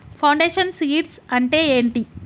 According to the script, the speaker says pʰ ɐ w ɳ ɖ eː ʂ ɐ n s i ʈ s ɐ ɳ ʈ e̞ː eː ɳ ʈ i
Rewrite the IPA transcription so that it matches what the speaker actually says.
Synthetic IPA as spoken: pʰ ɐ w ɳ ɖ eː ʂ ɐ n s iː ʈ s ɐ ɳ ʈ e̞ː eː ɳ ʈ i